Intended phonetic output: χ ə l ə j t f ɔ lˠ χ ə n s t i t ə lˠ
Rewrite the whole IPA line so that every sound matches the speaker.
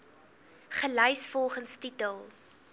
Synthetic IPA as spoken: χ ə l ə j s f ɔ lˠ χ ə n s t i t ə lˠ